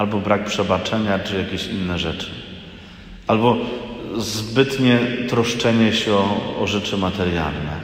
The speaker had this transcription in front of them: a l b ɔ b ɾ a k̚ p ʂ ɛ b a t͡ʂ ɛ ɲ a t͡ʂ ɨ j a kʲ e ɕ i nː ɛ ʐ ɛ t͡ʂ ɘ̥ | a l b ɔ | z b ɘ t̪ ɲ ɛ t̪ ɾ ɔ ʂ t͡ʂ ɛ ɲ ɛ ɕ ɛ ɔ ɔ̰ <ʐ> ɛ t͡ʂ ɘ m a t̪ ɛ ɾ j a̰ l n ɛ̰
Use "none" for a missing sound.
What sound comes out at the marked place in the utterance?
ʐ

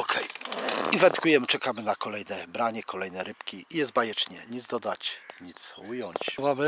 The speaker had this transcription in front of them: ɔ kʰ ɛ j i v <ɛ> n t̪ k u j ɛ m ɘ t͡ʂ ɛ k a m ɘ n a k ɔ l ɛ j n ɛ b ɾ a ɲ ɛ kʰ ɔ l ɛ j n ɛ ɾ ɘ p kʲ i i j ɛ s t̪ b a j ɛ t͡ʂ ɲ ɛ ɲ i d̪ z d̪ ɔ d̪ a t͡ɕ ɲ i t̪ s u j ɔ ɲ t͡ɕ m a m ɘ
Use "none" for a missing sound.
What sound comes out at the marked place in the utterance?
ɛ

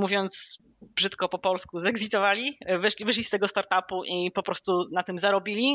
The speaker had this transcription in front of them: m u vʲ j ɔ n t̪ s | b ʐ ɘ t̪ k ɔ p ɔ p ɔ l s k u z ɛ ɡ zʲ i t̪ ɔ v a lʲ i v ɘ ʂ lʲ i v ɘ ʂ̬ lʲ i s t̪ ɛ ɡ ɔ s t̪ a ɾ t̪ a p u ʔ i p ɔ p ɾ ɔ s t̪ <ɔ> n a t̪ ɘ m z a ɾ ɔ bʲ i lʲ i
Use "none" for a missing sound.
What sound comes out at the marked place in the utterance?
u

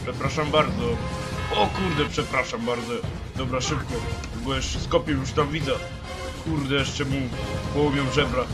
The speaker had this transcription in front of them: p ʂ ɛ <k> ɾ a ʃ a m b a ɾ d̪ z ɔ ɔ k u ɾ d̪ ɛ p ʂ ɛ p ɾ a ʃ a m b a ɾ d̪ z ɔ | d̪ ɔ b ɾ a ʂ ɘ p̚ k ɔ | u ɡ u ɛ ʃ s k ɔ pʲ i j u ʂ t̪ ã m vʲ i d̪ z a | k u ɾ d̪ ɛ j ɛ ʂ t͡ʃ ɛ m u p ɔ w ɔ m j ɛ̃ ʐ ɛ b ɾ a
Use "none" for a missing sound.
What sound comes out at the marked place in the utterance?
p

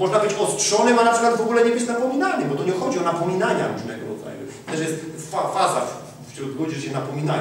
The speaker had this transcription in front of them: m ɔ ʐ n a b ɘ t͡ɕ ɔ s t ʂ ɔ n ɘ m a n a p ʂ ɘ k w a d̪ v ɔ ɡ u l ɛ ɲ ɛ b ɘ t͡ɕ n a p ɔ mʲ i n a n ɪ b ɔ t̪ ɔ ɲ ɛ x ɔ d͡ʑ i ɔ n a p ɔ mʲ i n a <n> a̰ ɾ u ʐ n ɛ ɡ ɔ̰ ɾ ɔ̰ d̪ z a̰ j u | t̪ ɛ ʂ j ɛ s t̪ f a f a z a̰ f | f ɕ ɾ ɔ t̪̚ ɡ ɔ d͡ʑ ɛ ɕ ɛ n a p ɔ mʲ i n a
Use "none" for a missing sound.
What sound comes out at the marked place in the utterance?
ɲ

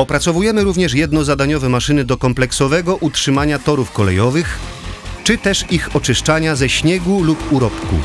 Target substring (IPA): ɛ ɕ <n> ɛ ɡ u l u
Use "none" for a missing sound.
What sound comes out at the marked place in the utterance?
ɲ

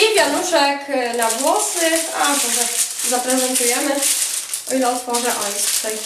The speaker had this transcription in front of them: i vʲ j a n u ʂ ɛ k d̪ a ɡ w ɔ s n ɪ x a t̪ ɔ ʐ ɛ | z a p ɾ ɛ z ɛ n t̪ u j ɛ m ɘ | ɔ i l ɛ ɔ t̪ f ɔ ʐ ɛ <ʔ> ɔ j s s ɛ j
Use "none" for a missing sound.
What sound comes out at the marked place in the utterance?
ʔ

